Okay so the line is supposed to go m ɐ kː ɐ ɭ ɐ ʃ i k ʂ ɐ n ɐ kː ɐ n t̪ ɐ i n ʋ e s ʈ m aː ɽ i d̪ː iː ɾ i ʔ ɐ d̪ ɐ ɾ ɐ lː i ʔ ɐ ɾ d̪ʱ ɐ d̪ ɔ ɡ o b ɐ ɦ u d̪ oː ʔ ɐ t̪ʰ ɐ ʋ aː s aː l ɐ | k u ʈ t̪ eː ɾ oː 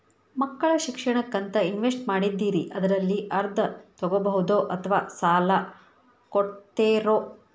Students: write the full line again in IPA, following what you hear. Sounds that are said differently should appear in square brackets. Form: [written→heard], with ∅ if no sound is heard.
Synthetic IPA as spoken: m ɐ kː ɐ ɭ ɐ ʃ i k ʂ ɐ [n→ɳ] ɐ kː ɐ n t̪ ɐ i n ʋ e s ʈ m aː ɽ i d̪ː iː ɾ i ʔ ɐ d̪ ɐ ɾ ɐ lː i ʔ ɐ ɾ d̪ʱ ɐ [d̪→t̪] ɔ ɡ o b ɐ ɦ u d̪ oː ʔ ɐ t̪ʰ ɐ ʋ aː s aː l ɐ | k [u→o] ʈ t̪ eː ɾ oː